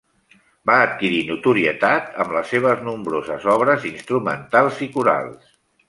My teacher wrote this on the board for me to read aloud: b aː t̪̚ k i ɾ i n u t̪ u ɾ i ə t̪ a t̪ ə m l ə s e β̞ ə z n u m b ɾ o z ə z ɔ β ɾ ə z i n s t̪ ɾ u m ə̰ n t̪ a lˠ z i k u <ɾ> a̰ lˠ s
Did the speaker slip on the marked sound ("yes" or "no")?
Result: no